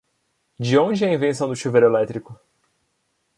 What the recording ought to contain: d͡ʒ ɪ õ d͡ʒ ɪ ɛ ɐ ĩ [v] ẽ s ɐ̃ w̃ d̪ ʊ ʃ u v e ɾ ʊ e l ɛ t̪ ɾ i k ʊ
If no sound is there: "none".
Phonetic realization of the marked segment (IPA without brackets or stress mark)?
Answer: v